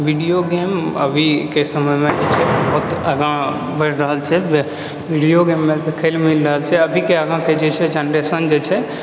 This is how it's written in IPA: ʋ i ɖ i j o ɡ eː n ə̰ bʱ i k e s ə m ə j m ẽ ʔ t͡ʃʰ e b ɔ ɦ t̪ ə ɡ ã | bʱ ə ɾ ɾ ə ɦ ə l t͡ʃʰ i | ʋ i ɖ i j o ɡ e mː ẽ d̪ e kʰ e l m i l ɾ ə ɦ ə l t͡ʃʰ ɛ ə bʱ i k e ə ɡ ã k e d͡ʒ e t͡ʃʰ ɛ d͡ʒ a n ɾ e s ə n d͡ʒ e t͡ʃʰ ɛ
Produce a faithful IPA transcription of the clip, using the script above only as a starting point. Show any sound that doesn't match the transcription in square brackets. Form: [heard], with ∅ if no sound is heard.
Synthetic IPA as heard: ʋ i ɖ i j o ɡ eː [m] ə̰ bʱ i k e s ə m ə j m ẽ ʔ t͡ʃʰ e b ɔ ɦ t̪ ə ɡ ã | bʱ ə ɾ ɾ ə ɦ ə l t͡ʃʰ [ɛ] | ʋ i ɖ i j o ɡ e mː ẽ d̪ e kʰ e l m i l ɾ ə ɦ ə l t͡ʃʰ ɛ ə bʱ i k e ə ɡ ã k e d͡ʒ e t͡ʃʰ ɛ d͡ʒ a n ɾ e s ə n d͡ʒ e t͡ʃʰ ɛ